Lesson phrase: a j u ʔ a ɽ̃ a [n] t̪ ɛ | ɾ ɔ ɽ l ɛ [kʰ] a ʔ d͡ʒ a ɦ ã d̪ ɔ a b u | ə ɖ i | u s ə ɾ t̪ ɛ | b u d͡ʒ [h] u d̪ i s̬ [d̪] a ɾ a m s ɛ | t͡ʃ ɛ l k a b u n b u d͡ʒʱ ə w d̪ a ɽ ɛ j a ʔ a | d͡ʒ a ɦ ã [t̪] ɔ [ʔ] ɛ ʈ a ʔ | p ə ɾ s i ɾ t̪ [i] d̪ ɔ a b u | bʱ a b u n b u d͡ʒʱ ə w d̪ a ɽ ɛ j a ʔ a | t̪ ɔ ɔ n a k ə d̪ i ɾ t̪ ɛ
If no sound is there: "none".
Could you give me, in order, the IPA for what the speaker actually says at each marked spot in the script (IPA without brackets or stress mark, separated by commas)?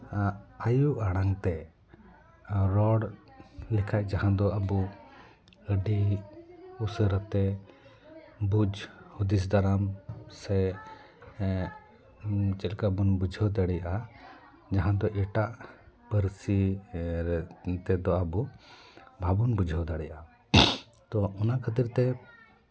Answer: ŋ, kʰ, h, d̪, d̪, ʔ, ɛ